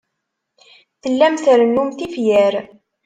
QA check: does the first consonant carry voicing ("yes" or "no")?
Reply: no